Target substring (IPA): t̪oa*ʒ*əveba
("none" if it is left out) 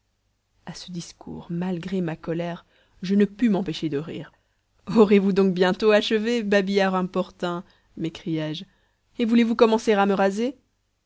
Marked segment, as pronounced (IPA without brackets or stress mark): ʃ